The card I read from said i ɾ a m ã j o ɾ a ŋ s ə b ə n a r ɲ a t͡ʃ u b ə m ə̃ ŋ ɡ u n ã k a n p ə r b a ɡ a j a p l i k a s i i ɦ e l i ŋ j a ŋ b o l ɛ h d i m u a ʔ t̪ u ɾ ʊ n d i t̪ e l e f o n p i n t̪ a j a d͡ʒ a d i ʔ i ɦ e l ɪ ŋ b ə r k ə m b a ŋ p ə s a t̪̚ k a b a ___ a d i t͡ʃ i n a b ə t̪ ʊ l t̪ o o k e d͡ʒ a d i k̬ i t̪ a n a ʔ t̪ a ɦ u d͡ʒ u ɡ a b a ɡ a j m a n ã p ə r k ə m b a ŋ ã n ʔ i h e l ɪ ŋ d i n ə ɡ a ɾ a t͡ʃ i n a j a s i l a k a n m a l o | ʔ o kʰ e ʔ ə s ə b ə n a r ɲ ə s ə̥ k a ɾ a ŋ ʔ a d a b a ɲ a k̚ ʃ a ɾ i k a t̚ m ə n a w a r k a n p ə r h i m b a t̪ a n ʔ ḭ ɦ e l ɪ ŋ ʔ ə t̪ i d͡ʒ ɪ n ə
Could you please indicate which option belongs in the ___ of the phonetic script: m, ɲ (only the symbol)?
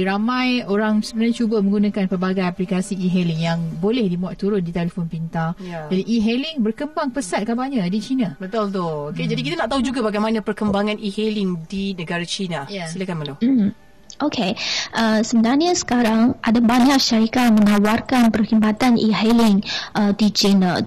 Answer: ɲ